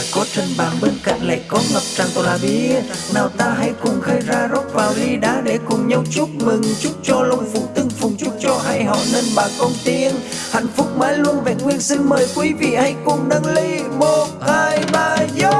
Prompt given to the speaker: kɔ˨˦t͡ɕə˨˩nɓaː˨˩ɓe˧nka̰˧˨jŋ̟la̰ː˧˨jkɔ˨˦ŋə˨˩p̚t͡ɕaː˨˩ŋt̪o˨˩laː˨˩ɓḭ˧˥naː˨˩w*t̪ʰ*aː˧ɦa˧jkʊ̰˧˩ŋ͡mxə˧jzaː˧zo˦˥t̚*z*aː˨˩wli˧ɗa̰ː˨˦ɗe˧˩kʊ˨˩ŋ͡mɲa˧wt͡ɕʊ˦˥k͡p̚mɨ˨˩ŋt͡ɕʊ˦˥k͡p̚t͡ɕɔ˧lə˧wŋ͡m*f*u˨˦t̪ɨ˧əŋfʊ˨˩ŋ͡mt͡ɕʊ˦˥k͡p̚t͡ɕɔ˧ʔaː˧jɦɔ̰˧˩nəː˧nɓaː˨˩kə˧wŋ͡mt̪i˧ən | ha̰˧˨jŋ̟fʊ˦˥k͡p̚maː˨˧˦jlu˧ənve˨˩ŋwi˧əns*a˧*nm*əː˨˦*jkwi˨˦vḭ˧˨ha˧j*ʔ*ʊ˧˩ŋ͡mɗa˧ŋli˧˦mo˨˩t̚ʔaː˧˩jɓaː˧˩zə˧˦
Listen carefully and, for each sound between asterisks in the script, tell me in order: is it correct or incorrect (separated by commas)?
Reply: incorrect, incorrect, correct, incorrect, incorrect, incorrect